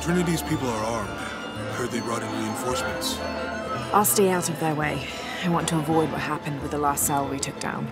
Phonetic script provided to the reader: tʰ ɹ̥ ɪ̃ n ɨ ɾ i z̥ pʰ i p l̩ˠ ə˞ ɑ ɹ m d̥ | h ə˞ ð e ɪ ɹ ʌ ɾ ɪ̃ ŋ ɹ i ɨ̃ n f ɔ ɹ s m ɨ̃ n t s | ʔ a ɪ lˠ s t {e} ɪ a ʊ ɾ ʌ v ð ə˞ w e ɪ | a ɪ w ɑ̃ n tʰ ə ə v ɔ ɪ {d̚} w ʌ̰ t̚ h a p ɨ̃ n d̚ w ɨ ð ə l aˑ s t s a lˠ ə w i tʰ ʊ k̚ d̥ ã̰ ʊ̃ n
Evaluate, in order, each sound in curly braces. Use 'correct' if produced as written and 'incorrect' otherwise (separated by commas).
correct, correct